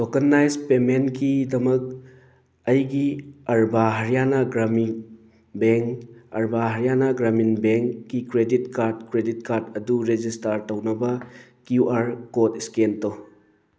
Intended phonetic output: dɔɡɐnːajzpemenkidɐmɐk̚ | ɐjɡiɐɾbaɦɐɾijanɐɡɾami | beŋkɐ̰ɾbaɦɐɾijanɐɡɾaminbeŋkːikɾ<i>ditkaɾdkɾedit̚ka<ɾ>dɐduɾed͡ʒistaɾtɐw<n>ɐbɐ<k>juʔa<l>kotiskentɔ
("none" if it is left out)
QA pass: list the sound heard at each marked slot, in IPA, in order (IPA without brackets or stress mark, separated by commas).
e, ɾ, n, k, ɾ